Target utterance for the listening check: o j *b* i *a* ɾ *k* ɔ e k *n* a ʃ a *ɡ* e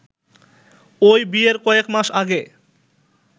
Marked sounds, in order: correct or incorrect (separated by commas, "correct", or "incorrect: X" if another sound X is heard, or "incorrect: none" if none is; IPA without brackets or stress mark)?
correct, incorrect: e, correct, incorrect: m, correct